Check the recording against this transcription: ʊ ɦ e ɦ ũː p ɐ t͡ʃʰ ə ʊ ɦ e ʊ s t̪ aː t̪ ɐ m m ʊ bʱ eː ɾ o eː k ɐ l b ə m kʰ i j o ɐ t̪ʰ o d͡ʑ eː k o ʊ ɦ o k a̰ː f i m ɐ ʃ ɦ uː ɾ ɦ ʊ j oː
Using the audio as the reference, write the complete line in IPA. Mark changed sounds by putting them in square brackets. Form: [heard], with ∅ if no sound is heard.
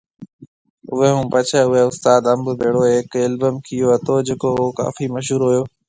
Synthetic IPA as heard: ʊ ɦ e ɦ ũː p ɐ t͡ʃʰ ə ʊ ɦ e ʊ s t̪ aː [d̪] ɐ m [b] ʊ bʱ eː [ɽ] o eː k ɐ l b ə m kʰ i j o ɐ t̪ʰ o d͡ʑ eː k o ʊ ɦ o k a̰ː f i m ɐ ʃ ɦ uː ɾ ɦ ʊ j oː